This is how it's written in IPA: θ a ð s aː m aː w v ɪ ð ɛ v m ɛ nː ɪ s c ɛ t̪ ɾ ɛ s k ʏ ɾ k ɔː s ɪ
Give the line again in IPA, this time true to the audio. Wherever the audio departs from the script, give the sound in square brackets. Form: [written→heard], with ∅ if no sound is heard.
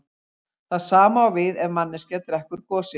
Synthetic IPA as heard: θ a ð s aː m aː w v ɪ ð ɛ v m [ɛ→a] nː ɪ s c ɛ t̪ ɾ ɛ [s→h] k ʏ ɾ k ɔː s ɪ